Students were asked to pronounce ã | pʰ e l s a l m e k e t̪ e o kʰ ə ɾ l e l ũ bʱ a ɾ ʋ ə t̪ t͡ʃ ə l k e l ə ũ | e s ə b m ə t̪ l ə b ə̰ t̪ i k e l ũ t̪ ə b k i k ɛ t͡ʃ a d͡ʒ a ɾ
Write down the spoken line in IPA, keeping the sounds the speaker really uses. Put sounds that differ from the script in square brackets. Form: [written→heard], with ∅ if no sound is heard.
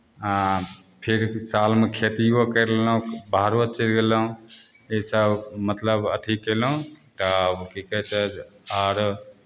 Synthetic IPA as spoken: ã | pʰ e [l→ɾ] s a l m e [k→kʰ] e t̪ [e→i] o [kʰ→k] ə ɾ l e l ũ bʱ a ɾ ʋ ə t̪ t͡ʃ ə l [k→ɡ] e l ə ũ | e s ə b m ə t̪ l ə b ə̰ [t̪→t̪ʰ] i k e l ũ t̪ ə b k i k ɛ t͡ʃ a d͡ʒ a ɾ